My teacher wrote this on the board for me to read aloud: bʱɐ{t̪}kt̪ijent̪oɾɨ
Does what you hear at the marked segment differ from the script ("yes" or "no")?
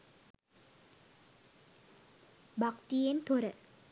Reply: yes